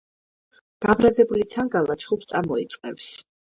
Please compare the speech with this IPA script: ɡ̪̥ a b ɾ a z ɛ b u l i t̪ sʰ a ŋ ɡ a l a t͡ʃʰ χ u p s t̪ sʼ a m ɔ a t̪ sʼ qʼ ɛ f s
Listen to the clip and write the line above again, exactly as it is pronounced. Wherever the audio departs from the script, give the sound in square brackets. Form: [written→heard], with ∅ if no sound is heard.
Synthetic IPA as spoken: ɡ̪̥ a b ɾ a z ɛ b u l i t̪ sʰ a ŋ ɡ a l a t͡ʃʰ χ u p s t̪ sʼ a m ɔ [a→i] t̪ sʼ qʼ ɛ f s

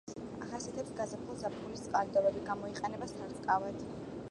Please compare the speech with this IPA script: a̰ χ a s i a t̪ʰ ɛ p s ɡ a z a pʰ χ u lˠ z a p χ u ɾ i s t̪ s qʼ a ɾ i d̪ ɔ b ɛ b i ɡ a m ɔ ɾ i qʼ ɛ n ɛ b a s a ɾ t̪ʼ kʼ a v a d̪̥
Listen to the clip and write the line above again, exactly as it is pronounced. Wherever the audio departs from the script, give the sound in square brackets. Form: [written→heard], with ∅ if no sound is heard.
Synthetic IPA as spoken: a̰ χ a s i a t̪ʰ ɛ p s ɡ a z a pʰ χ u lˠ z a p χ u [ɾ→l] i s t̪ s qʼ a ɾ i d̪ ɔ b ɛ b i ɡ a m ɔ [ɾ→∅] i qʼ ɛ n ɛ b a s a ɾ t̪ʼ kʼ a v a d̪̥

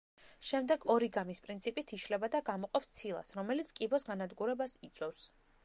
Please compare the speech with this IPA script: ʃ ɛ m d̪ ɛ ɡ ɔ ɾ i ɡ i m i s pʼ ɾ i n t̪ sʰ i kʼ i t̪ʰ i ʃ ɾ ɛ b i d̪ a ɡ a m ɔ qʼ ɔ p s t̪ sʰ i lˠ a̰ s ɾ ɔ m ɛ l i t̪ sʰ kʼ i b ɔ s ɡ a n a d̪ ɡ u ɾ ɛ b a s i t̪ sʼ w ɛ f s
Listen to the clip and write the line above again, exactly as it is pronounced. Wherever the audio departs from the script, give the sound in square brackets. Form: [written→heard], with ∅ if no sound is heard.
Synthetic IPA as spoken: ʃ ɛ m d̪ ɛ ɡ ɔ ɾ i ɡ [i→a] m i s pʼ ɾ i n t̪ sʰ i [kʼ→pʼ] i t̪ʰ i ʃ [ɾ→l] ɛ b [i→a] d̪ a ɡ a m ɔ qʼ ɔ p s t̪ sʰ i lˠ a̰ s ɾ ɔ m ɛ l i t̪ sʰ kʼ i b ɔ s ɡ a n a d̪ ɡ u ɾ ɛ b a s i t̪ sʼ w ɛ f s

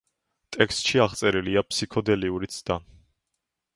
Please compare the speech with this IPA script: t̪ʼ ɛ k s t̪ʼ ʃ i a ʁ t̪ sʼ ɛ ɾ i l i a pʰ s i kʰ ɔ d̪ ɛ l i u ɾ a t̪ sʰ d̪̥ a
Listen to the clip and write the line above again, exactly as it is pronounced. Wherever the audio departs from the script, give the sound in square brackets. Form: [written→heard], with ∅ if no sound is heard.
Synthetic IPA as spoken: t̪ʼ ɛ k s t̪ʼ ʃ i a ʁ t̪ sʼ ɛ ɾ i l i a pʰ s i kʰ ɔ d̪ ɛ l i u ɾ [a→i] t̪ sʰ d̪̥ a

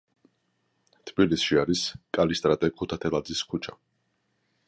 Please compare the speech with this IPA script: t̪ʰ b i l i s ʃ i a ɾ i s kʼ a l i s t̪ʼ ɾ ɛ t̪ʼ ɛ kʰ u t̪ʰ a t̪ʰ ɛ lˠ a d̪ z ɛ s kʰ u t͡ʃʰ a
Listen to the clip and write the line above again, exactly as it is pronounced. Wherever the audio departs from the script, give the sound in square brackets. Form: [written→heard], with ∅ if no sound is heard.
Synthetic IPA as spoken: t̪ʰ b i l i s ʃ i a ɾ i s kʼ a l i s t̪ʼ ɾ [ɛ→a] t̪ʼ ɛ kʰ u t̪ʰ a t̪ʰ ɛ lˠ a d̪ z [ɛ→i] s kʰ u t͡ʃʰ a

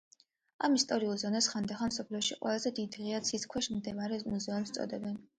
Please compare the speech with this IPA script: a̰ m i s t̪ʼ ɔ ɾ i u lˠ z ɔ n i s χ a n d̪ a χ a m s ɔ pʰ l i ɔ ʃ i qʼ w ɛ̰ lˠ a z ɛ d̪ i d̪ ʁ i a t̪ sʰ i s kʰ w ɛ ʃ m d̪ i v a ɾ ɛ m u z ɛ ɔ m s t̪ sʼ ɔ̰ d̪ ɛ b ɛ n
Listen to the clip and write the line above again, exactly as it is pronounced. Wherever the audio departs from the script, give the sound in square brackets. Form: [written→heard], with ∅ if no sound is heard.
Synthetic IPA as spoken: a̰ m i s t̪ʼ ɔ ɾ i u lˠ z ɔ n [i→a] s χ a n d̪ a χ a m s ɔ pʰ l i ɔ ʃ i qʼ w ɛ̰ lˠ a z ɛ d̪ i d̪ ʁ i a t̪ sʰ i s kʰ w ɛ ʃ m d̪ [i→ɛ] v a ɾ ɛ m u z ɛ ɔ m s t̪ sʼ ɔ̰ d̪ ɛ b ɛ n

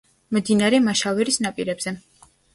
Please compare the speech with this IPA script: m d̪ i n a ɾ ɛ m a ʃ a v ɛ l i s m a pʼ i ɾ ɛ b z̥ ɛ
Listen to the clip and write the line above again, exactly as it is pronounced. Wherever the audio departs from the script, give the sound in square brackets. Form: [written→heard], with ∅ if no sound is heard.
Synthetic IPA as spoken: m d̪ i n a ɾ ɛ m a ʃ a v ɛ [l→ɾ] i s [m→n] a pʼ i ɾ ɛ b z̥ ɛ

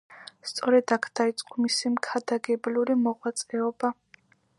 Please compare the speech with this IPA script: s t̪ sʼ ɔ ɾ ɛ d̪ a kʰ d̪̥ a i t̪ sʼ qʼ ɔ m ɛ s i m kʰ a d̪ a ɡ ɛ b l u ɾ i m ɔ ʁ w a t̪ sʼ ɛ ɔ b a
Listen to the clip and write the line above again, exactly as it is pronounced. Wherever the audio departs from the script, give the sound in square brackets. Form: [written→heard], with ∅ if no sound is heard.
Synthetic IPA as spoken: s t̪ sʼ ɔ ɾ ɛ d̪ a kʰ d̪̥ a i t̪ sʼ qʼ ɔ m [ɛ→i] s i m kʰ a d̪ a ɡ ɛ b l u ɾ i m ɔ ʁ w a t̪ sʼ ɛ ɔ b a

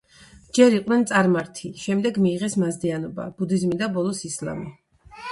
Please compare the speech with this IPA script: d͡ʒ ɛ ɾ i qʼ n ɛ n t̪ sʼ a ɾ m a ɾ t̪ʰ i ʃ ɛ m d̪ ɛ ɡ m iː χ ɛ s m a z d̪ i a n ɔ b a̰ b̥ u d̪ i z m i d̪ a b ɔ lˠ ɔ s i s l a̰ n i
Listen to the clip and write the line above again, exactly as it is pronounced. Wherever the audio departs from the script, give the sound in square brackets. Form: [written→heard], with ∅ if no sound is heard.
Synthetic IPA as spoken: d͡ʒ ɛ ɾ i qʼ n ɛ n t̪ sʼ a ɾ m a ɾ t̪ʰ i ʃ ɛ m d̪ ɛ ɡ m iː [χ→ʁ] ɛ s m a z d̪ i a n ɔ b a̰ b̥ u d̪ i z m i d̪ a b ɔ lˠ ɔ s i s l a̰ [n→m] i

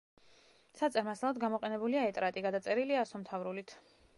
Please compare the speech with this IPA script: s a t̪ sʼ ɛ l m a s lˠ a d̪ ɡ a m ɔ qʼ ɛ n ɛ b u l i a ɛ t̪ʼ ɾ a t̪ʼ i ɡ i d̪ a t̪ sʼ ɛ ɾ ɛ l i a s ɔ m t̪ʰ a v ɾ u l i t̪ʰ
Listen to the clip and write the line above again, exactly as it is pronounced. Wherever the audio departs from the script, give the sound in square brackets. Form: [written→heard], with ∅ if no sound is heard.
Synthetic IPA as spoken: s a t̪ sʼ ɛ [l→ɾ] m a s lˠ a d̪ ɡ a m ɔ qʼ ɛ n ɛ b u l i a ɛ t̪ʼ ɾ a t̪ʼ i ɡ [i→a] d̪ a t̪ sʼ ɛ ɾ [ɛ→i] l i a s ɔ m t̪ʰ a v ɾ u l i t̪ʰ

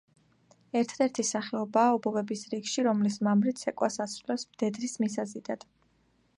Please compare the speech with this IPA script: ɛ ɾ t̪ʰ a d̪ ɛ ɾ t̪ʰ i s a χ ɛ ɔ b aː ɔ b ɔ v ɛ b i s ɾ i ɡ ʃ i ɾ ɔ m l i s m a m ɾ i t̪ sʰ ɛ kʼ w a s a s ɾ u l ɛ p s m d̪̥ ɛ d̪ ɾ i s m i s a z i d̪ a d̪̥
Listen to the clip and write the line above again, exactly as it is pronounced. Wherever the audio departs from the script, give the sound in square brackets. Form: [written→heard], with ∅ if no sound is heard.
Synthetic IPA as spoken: ɛ ɾ t̪ʰ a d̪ ɛ ɾ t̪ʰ i s a χ ɛ ɔ b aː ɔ b ɔ v ɛ b i s ɾ i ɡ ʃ i ɾ ɔ m l i s m a m ɾ i t̪ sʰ ɛ kʼ w a s a s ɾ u l ɛ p s m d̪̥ ɛ d̪ ɾ i s m i s a z i d̪ a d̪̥

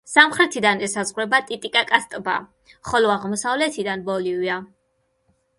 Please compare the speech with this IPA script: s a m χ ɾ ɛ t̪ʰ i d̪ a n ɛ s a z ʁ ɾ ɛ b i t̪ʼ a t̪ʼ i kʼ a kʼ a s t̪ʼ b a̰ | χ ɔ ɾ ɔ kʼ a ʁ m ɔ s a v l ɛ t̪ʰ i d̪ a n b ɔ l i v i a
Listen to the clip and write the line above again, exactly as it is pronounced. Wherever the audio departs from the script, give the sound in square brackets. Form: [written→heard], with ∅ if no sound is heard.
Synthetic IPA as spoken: s a m χ ɾ ɛ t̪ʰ i d̪ a n ɛ s a z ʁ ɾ ɛ b [i→a] t̪ʼ [a→i] t̪ʼ i kʼ a kʼ a s t̪ʼ b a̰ | χ ɔ [ɾ→l] ɔ [kʼ→∅] a ʁ m ɔ s a v l ɛ t̪ʰ i d̪ a n b ɔ l i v i a

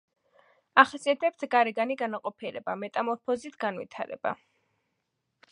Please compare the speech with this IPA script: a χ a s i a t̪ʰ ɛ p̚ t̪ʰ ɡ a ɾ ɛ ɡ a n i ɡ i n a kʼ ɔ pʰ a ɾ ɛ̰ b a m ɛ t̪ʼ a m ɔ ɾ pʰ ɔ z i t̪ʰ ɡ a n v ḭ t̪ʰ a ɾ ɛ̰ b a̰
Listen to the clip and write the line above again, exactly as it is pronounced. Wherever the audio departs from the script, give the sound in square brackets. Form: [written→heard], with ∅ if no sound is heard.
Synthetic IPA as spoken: a χ a s i a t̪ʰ ɛ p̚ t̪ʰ ɡ a ɾ ɛ ɡ a n i ɡ [i→a] n a [kʼ→qʼ] ɔ pʰ [a→i] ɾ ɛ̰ b a m ɛ t̪ʼ a m ɔ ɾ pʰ ɔ z i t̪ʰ ɡ a n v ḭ t̪ʰ a ɾ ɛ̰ b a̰

